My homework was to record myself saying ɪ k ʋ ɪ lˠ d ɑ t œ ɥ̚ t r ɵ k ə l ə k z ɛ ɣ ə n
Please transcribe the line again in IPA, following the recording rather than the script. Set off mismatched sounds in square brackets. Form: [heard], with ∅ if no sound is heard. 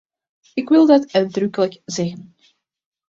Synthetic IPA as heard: ɪ k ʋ ɪ lˠ d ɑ t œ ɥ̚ [d] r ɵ k ə l ə k z ɛ ɣ ə n